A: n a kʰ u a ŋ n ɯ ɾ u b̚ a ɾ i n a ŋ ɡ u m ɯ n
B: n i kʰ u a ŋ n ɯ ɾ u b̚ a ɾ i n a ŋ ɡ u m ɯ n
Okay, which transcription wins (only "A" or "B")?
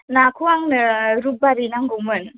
A